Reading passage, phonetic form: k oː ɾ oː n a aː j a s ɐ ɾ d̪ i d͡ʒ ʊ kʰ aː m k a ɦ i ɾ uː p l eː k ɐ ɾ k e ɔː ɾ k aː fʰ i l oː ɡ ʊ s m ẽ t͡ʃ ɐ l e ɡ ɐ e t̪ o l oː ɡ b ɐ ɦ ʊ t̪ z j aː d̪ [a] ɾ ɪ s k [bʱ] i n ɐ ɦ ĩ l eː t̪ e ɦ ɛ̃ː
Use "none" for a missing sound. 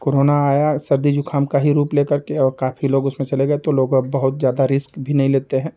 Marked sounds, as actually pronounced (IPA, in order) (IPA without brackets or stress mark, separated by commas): a, bʱ